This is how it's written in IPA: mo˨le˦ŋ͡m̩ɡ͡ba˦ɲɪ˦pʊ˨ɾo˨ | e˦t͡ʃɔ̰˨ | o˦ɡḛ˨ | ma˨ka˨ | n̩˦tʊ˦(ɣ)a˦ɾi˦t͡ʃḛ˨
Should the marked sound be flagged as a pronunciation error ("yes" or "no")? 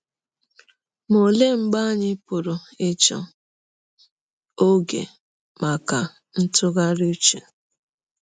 no